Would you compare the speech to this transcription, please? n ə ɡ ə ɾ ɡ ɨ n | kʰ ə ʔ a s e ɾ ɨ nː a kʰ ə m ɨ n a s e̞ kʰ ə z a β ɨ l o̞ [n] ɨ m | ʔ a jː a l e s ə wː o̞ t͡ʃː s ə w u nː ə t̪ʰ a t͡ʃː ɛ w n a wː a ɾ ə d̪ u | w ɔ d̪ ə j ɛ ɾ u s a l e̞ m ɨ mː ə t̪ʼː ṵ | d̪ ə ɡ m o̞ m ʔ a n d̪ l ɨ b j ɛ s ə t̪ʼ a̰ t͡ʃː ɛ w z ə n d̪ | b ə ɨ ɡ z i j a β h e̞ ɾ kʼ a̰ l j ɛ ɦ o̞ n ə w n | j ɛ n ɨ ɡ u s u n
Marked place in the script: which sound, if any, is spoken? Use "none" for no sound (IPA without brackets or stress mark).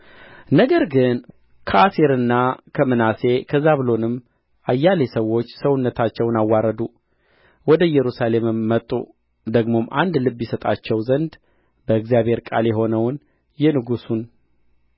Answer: n